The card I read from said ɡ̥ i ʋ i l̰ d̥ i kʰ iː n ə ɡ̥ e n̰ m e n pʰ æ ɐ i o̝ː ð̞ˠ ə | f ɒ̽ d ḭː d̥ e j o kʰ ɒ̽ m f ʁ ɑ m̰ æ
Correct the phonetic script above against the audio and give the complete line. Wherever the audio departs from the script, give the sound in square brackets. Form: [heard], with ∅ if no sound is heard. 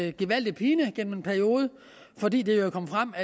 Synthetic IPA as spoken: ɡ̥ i ʋ [æ] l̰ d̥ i [pʰ] iː n ə ɡ̥ e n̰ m e n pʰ æ ɐ i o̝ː ð̞ˠ ə | f ɒ̽ d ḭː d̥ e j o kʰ ɒ̽ m f ʁ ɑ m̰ æ